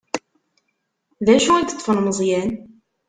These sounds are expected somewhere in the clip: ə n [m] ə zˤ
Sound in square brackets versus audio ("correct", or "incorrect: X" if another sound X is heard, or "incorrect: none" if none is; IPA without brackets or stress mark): correct